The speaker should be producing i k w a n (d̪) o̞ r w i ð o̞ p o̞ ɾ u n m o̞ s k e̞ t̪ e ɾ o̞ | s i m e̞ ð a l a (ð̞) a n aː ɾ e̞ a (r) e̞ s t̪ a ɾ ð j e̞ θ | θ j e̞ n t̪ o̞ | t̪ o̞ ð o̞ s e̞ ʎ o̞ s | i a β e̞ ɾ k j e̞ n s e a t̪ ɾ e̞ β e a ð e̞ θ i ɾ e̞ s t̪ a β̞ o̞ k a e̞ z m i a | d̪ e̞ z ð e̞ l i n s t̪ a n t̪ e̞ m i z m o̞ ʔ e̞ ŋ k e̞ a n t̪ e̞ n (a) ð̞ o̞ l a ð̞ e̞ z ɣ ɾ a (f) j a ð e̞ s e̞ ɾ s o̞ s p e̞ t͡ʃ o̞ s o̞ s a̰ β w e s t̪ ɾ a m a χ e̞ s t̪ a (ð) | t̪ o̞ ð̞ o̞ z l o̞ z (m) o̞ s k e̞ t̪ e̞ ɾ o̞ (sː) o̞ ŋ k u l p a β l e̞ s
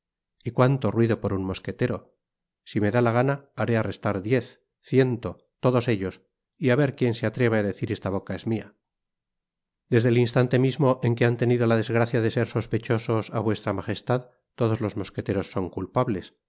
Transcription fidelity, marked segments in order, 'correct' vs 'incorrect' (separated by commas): incorrect, incorrect, correct, incorrect, incorrect, correct, correct, correct